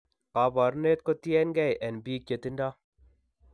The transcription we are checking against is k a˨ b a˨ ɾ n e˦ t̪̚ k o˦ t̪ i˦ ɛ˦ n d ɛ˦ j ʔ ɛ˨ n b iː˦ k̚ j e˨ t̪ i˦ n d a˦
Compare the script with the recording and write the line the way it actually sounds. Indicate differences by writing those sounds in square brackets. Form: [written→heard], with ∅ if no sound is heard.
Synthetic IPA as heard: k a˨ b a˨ ɾ n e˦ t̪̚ k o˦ t̪ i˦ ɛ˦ n [d→ɡ] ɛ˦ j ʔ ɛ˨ n b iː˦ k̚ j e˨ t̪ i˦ n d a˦